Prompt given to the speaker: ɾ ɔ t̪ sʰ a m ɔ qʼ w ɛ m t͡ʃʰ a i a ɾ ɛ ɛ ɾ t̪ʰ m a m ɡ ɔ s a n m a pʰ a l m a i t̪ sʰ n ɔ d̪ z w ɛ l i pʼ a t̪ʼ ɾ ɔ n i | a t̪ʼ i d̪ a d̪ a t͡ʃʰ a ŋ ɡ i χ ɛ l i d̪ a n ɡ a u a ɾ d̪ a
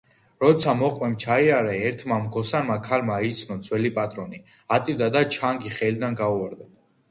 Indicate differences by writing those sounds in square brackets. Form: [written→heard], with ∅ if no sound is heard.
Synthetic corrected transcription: ɾ ɔ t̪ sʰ a m ɔ qʼ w ɛ m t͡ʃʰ a i a ɾ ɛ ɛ ɾ t̪ʰ m a m ɡ ɔ s a n m a [pʰ→kʰ] a l m a i t̪ sʰ n ɔ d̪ z w ɛ l i pʼ a t̪ʼ ɾ ɔ n i | a t̪ʼ i d̪ a d̪ a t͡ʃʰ a ŋ ɡ i χ ɛ l i d̪ a n ɡ a u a ɾ d̪ a